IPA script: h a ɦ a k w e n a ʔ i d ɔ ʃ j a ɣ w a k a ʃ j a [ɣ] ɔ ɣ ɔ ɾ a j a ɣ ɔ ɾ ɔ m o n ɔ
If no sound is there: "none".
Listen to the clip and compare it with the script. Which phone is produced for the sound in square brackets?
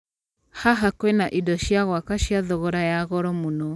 ð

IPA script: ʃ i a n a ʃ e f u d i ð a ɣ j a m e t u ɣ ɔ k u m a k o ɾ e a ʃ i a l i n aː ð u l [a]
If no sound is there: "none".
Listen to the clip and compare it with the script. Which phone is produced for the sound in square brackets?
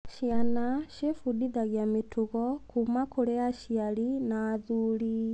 i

